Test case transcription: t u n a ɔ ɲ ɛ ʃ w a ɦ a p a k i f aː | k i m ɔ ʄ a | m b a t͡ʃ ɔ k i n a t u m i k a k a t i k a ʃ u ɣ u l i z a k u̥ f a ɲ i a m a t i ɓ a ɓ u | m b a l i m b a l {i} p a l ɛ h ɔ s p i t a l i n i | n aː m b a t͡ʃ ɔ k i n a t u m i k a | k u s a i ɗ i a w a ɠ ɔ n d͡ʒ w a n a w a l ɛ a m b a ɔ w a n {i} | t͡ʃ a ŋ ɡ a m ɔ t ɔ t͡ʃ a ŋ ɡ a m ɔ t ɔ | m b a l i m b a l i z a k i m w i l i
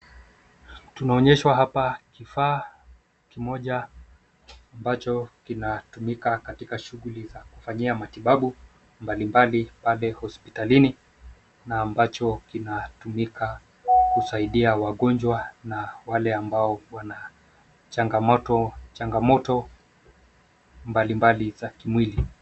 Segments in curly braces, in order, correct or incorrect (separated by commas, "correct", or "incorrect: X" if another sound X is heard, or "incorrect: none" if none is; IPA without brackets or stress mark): correct, incorrect: a